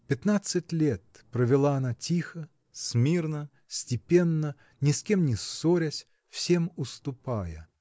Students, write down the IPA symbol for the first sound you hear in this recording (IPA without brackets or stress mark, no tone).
pʲ